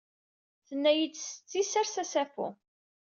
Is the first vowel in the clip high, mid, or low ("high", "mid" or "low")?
mid